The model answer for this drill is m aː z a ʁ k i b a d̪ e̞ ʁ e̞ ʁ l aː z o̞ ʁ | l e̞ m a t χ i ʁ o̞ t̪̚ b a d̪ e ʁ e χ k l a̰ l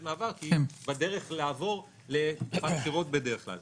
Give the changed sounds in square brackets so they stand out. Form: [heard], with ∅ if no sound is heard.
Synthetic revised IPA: m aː [v] a ʁ k i b a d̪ e̞ ʁ e̞ [χ] l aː [v] o̞ ʁ | l e̞ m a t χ i ʁ o̞ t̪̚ b [e] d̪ e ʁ e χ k l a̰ l